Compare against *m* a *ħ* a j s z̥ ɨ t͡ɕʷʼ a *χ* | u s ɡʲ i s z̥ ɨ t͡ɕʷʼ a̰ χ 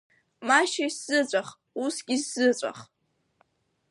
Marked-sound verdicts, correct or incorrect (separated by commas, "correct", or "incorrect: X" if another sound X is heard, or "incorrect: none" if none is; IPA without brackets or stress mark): correct, incorrect: ʃ, correct